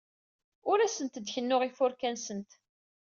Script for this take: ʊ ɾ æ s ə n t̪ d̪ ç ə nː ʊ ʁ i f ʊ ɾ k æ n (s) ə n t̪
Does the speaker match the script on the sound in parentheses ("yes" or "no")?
yes